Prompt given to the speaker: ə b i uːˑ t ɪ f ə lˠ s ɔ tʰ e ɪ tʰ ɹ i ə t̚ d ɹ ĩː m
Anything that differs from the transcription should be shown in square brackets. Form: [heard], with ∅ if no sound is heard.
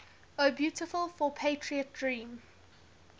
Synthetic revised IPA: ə b [j] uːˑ t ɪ f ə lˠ [f] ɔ [pʰ] e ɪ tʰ ɹ i ə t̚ d ɹ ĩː m